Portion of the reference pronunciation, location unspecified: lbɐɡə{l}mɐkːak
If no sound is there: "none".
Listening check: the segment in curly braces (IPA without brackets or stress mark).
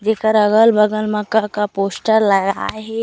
l